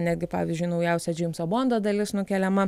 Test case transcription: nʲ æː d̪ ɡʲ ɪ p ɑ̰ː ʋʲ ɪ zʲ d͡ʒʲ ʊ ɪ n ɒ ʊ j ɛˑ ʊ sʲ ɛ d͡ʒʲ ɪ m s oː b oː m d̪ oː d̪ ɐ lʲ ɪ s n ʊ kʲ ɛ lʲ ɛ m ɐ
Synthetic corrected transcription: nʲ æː d̪ ɡʲ ɪ p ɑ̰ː ʋʲ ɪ zʲ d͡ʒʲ ʊ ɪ n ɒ ʊ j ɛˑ ʊ sʲ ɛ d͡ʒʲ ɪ m s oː b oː n d̪ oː d̪ ɐ lʲ ɪ s n ʊ kʲ ɛ lʲ ɛ m ɐ